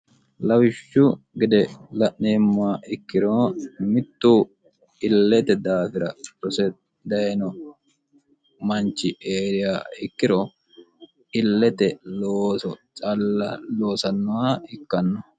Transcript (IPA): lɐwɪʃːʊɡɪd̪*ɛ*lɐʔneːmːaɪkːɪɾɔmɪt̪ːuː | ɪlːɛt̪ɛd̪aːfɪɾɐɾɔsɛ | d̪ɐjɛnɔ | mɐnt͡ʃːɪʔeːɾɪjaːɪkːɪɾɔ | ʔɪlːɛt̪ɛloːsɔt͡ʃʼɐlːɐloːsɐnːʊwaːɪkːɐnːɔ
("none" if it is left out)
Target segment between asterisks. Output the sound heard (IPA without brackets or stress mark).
ɛ